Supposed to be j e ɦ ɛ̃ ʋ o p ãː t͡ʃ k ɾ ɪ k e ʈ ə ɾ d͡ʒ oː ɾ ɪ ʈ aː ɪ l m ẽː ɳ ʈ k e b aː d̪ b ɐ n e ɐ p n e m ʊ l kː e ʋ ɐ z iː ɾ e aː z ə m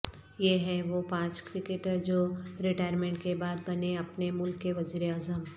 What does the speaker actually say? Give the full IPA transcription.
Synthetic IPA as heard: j e ɦ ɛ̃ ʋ o p ãː t͡ʃ k ɾ ɪ k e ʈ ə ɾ d͡ʒ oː ɾ ɪ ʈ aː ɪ ɾ m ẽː ɳ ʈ k e b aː d̪ b ɐ n e ɐ p n e m ʊ l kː e ʋ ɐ z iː ɾ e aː z ə m